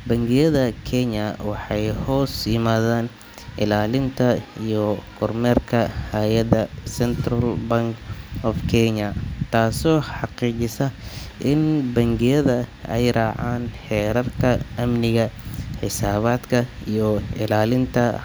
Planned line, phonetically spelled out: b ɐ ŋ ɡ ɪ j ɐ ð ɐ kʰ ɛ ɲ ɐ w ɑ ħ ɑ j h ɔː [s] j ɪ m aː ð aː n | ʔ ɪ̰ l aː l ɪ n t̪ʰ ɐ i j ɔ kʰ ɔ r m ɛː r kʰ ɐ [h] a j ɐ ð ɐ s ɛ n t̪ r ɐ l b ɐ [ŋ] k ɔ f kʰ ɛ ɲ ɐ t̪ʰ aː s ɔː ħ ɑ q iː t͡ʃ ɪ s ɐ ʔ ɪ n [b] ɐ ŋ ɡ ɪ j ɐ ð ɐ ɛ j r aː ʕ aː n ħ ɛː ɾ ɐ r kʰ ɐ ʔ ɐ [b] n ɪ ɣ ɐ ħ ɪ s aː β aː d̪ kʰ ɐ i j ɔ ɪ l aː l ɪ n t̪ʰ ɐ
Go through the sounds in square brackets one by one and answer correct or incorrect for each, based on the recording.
correct, correct, correct, correct, incorrect: m

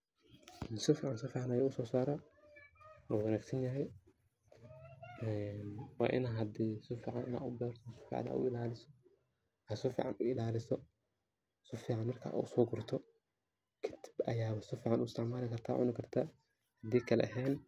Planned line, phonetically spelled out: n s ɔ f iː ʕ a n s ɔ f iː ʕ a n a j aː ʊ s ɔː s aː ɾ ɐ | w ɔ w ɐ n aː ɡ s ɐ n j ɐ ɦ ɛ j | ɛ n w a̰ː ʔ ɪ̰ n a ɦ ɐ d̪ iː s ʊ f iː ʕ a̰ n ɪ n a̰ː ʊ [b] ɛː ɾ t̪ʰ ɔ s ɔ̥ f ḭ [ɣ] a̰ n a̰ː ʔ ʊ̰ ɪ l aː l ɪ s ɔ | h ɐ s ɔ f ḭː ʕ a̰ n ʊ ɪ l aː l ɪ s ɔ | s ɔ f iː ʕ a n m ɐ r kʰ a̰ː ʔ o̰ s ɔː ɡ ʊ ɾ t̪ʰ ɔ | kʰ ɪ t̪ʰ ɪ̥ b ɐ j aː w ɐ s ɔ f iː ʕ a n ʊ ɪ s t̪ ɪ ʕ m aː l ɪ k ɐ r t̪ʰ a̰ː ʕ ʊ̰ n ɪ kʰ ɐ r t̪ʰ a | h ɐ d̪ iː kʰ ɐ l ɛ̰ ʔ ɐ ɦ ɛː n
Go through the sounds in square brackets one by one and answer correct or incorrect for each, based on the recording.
correct, incorrect: ʕ

